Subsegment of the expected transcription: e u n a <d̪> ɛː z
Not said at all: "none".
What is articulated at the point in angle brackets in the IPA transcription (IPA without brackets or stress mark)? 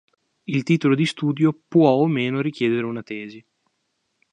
t̪